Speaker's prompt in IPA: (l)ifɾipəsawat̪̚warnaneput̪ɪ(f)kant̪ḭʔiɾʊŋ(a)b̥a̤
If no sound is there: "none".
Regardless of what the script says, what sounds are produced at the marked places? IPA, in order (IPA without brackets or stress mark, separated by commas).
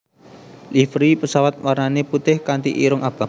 l, h, a